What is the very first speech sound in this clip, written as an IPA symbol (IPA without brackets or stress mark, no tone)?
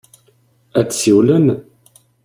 æ